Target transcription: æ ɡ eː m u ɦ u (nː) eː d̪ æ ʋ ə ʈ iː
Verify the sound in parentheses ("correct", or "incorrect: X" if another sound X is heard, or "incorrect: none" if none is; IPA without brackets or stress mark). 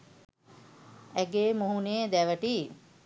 incorrect: n